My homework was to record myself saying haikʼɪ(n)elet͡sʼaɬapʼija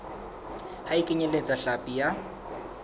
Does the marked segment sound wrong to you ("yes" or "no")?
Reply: yes